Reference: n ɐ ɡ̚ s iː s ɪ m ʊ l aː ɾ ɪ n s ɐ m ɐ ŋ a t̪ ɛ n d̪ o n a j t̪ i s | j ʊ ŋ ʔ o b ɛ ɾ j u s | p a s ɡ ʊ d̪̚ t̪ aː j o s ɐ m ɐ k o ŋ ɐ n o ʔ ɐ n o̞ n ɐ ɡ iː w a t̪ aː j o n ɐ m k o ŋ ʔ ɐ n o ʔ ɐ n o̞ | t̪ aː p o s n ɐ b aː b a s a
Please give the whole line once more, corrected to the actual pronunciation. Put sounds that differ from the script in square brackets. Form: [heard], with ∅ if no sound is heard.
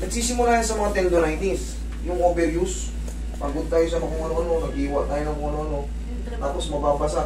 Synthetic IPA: n ɐ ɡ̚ s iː s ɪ m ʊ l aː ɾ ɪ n s ɐ m ɐ ŋ a t̪ ɛ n d̪ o n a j t̪ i s | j ʊ ŋ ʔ o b ɛ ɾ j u s | p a [∅] ɡ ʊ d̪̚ t̪ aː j o s ɐ m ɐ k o ŋ ɐ n o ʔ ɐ n o̞ n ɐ ɡ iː w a t̪ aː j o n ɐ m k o ŋ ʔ ɐ n o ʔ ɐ n o̞ | t̪ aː p o s [m] ɐ b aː b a s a

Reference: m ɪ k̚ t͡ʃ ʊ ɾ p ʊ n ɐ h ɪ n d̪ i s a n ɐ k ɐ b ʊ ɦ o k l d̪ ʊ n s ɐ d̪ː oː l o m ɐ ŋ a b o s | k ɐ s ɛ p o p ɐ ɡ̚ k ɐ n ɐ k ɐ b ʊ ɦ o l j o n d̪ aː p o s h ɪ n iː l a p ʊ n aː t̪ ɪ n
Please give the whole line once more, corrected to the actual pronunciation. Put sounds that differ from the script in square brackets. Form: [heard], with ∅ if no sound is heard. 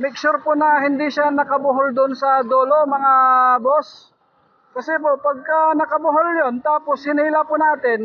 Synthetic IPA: m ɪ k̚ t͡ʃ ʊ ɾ p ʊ n ɐ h ɪ n d̪ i [ʃ] a n ɐ k ɐ b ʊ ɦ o [∅] l d̪ ʊ n s ɐ [d̪] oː l o m ɐ ŋ a b o s | k ɐ s ɛ p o p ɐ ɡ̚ k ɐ n ɐ k ɐ b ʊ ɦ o l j o n [t̪] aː p o s h ɪ n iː l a p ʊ n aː t̪ ɪ n

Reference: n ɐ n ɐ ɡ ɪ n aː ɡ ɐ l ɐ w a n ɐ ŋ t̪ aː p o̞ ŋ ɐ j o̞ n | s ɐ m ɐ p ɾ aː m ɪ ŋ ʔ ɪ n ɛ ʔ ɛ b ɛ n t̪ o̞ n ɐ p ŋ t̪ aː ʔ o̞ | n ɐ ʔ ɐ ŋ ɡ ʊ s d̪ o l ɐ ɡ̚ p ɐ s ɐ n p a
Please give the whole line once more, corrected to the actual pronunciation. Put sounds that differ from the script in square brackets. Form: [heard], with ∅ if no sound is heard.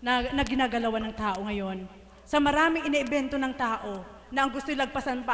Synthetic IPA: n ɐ n ɐ ɡ ɪ n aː ɡ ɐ l ɐ w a n ɐ ŋ t̪ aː [ʔ] o̞ ŋ ɐ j o̞ n | s ɐ m ɐ [∅] ɾ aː m ɪ ŋ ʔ ɪ n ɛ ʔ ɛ b ɛ n t̪ o̞ n ɐ [∅] ŋ t̪ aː ʔ o̞ | n ɐ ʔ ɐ ŋ ɡ ʊ s [t̪] o l ɐ ɡ̚ p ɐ s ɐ n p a

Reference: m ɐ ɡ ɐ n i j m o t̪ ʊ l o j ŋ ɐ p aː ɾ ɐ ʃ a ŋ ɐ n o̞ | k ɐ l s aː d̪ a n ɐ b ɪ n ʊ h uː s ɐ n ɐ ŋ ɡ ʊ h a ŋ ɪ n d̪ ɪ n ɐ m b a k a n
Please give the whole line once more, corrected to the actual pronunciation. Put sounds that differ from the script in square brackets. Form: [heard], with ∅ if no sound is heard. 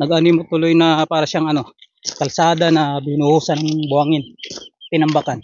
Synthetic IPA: [n] ɐ ɡ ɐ n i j m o t̪ ʊ l o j [n] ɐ p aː ɾ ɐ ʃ a ŋ ɐ n o̞ | k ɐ l s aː d̪ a n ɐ b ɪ n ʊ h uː s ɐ n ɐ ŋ [b] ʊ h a ŋ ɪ n [t̪] ɪ n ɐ m b a k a n

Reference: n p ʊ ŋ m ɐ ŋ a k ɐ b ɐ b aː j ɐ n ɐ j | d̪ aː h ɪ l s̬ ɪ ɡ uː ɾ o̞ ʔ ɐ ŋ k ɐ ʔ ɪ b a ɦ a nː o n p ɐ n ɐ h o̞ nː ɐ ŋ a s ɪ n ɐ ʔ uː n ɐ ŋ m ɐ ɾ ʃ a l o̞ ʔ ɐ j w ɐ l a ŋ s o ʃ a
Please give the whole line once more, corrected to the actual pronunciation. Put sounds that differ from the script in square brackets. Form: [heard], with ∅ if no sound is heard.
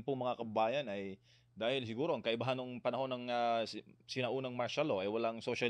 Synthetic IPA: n p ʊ ŋ m ɐ ŋ a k ɐ b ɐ b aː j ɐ n ɐ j | d̪ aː h ɪ l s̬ ɪ ɡ uː ɾ o̞ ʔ ɐ ŋ k ɐ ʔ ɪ b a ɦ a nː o [ŋ] p ɐ n ɐ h o̞ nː ɐ ŋ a s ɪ n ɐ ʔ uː n ɐ ŋ m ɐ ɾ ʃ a l o̞ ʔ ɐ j w ɐ l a ŋ s o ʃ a

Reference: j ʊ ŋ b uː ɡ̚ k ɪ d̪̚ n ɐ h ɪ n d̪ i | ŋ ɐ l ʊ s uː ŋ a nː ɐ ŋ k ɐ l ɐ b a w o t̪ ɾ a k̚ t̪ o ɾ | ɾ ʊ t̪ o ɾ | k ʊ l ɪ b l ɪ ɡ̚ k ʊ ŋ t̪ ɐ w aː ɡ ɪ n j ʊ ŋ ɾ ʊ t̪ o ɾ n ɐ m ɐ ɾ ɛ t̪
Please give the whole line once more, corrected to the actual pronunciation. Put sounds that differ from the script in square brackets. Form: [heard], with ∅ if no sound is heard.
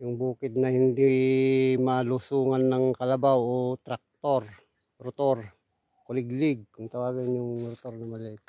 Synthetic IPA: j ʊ ŋ b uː [∅] k ɪ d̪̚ n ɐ h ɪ n d̪ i | [m] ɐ l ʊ s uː ŋ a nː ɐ ŋ k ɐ l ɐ b a w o t̪ ɾ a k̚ t̪ o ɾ | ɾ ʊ t̪ o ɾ | k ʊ l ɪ [ɡ] l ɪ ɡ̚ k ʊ ŋ t̪ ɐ w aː ɡ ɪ n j ʊ ŋ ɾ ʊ t̪ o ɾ n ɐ m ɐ [l] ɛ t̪

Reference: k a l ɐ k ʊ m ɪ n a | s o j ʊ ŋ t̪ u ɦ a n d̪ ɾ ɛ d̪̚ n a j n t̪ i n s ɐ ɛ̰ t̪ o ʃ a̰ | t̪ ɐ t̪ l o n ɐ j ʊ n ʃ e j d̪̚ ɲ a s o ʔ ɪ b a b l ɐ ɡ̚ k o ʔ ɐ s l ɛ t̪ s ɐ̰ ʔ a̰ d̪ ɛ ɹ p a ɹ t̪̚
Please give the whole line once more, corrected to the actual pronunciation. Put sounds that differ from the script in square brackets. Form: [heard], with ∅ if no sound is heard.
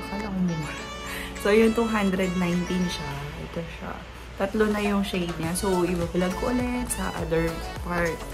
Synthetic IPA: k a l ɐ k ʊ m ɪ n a | s o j ʊ ŋ t̪ u ɦ a n d̪ ɾ ɛ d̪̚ n a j n t̪ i n [ʃ] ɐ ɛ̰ t̪ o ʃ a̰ | t̪ ɐ t̪ l o n ɐ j ʊ [ŋ] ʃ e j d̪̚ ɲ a s o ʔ ɪ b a b l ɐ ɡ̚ k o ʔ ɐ [∅] l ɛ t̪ s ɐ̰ ʔ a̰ d̪ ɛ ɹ p a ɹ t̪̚

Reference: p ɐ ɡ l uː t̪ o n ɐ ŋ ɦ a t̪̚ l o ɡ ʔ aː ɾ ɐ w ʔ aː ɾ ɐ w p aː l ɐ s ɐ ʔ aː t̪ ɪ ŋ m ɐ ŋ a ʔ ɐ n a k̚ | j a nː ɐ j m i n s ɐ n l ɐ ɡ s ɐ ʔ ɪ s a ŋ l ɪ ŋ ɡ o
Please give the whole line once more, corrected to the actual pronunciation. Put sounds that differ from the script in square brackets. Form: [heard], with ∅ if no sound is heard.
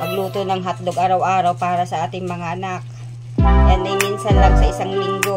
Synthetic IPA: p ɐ ɡ l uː t̪ o n ɐ ŋ ɦ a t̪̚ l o ɡ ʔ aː ɾ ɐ w ʔ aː ɾ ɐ w p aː [ɾ] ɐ s ɐ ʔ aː t̪ ɪ ŋ m ɐ ŋ a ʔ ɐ n a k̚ | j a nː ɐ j m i n s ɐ n l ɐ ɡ s ɐ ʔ ɪ s a ŋ l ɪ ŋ ɡ o

